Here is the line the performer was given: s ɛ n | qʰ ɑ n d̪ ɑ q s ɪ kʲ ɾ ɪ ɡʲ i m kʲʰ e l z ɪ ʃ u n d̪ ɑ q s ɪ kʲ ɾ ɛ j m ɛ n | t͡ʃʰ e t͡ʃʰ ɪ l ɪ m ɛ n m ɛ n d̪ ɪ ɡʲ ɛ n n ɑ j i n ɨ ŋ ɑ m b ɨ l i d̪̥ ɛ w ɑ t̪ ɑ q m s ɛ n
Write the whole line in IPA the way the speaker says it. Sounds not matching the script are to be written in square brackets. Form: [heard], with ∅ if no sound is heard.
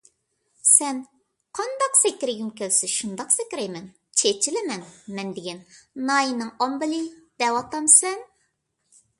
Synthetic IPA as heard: s ɛ n | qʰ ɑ n d̪ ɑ q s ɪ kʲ ɾ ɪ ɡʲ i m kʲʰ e l [s] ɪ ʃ u n d̪ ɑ q s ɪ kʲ ɾ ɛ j m ɛ n | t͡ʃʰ e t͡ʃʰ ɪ l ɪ m ɛ n m ɛ n d̪ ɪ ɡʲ ɛ n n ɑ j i n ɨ ŋ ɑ m b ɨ l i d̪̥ ɛ w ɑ t̪ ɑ [∅] m s ɛ n